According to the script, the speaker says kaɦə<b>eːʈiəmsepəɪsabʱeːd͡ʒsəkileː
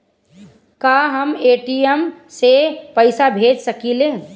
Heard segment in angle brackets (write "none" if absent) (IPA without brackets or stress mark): m